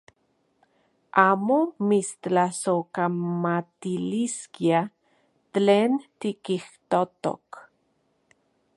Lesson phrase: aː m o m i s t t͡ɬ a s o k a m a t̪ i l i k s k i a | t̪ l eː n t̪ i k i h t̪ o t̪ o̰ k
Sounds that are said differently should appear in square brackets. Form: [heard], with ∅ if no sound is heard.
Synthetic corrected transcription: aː m o m i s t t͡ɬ a s o k a m a t̪ i l i [∅] s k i a | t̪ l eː n t̪ i k i h t̪ o t̪ o̰ k